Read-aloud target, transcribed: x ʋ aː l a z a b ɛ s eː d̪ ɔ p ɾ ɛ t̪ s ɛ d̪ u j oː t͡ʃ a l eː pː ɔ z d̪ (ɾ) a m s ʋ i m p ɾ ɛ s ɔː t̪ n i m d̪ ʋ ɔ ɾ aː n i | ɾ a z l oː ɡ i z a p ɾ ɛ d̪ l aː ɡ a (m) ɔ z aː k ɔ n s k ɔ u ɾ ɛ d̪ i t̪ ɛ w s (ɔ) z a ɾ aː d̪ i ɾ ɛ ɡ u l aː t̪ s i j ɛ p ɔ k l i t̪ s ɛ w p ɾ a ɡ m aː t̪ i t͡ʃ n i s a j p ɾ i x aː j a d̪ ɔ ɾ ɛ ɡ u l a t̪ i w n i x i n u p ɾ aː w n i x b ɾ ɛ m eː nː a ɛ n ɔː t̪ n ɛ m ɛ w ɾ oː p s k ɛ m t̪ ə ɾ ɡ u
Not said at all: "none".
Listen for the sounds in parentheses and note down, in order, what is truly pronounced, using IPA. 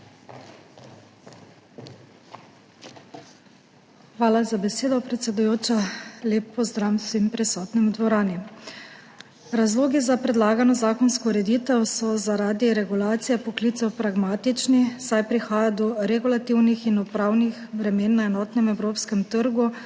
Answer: ɾ, n, ɔ

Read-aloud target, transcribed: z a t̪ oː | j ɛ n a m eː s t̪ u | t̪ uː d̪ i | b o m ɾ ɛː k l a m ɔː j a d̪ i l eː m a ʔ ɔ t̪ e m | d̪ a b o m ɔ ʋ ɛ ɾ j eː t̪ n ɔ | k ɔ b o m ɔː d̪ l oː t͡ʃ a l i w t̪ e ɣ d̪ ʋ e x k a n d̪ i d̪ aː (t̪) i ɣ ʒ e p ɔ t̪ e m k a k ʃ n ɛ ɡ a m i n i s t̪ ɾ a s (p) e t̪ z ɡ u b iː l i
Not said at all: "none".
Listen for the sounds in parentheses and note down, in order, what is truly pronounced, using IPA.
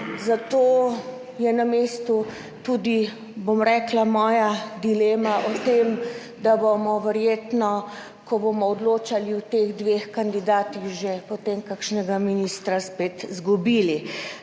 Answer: t̪, p

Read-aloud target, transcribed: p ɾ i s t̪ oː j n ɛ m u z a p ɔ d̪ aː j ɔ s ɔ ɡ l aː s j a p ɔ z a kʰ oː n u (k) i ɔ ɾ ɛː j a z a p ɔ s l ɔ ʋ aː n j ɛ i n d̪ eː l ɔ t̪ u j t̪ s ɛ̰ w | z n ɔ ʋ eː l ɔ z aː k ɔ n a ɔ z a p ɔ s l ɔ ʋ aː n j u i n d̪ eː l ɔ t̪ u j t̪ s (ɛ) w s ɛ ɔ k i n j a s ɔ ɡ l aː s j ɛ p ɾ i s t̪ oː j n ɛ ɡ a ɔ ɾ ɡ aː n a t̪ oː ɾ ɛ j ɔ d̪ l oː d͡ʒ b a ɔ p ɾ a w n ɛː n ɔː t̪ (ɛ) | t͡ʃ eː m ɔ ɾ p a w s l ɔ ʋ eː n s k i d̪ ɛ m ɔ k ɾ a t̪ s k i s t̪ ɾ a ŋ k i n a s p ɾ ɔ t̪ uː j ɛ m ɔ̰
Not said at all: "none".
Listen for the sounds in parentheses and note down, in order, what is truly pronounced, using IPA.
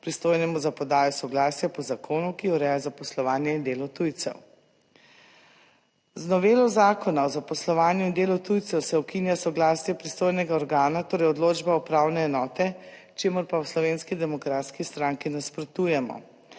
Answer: k, ɛ, ɛ

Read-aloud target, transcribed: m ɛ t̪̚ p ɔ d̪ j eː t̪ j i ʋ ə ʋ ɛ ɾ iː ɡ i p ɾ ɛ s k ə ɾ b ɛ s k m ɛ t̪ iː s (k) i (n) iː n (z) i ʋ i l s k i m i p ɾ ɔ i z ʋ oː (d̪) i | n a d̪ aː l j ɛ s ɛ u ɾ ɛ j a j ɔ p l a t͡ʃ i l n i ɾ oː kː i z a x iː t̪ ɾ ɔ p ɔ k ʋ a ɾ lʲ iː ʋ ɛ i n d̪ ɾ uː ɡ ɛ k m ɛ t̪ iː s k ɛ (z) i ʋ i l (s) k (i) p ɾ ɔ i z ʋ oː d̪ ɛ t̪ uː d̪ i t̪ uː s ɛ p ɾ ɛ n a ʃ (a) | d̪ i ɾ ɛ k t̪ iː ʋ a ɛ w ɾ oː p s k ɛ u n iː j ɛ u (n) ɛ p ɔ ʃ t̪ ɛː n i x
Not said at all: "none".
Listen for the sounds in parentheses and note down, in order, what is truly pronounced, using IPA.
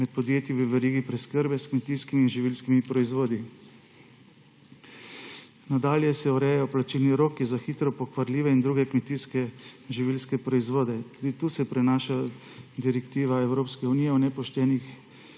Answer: k, m, ʒ, d̪, ʒ, s, ɛ, a, n

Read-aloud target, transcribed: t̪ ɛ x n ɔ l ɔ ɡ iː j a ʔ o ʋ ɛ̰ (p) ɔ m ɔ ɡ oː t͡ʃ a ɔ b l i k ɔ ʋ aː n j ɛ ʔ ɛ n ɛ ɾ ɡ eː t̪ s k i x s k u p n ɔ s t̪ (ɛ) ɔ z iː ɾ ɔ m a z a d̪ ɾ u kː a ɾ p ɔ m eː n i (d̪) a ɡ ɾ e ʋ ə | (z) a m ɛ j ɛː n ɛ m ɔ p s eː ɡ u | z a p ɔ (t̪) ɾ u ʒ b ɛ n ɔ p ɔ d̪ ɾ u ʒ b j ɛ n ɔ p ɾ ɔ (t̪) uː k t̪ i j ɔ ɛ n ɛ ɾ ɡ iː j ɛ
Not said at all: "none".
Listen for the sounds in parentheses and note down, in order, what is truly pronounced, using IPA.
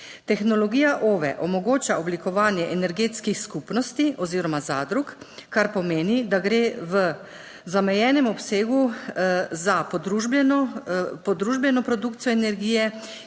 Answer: ʔ, i, d̪, z, d̪, d̪

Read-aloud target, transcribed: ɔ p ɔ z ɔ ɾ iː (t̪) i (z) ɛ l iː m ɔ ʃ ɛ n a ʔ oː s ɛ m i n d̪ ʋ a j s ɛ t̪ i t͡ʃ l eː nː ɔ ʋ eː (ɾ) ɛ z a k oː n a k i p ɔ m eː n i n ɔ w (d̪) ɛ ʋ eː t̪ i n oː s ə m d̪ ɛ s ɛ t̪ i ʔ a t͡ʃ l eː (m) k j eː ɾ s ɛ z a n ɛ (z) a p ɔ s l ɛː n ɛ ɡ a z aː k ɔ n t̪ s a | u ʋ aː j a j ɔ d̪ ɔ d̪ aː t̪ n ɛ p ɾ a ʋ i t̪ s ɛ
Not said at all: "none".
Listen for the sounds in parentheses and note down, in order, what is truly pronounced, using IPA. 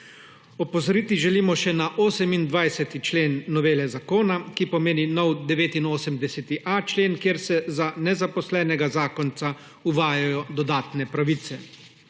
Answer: t̪, ʒ, l, d̪, n, z

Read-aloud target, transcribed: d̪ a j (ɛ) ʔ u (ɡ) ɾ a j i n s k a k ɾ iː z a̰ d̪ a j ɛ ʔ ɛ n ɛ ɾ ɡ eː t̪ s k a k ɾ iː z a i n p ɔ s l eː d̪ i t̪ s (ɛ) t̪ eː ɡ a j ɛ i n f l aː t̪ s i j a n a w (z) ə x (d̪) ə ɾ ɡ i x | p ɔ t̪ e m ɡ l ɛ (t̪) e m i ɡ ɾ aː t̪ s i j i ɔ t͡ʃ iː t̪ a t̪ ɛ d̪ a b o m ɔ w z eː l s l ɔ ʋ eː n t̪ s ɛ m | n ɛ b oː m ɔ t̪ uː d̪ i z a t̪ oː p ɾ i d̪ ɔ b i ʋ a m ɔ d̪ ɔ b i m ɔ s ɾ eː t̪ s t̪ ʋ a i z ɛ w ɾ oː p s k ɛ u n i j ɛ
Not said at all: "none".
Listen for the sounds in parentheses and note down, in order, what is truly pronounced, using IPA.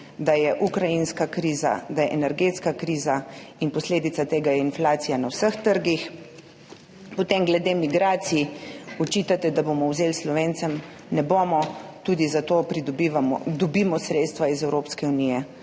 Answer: ɛ, k, a, s, t̪, d̪

